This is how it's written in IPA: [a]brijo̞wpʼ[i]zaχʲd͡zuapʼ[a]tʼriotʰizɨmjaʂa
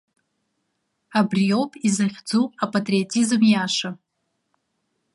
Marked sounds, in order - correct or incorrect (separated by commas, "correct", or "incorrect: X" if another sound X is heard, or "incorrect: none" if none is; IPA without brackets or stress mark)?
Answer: correct, correct, correct